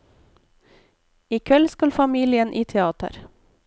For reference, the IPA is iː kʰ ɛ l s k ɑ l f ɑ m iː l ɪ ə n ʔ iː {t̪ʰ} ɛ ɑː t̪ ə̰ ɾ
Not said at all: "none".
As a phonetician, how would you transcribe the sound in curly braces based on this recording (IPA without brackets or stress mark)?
t̪ʰ